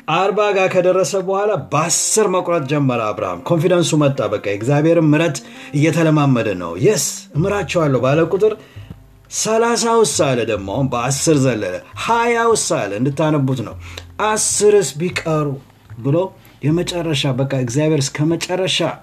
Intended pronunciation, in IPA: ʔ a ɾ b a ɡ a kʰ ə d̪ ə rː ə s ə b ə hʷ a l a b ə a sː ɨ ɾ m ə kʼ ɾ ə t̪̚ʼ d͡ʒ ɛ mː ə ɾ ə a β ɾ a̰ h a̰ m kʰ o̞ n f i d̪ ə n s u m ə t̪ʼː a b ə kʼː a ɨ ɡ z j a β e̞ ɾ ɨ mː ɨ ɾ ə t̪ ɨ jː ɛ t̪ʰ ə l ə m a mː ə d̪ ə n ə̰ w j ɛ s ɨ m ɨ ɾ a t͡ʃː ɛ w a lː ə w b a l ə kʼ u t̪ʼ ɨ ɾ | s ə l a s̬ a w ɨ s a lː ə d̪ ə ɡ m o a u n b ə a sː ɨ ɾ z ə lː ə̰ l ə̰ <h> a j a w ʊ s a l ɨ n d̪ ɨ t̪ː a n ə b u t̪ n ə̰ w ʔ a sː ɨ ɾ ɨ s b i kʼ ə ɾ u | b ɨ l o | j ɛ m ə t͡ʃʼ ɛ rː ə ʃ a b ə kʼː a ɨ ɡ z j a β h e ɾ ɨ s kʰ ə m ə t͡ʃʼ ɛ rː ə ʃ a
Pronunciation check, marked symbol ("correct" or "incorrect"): correct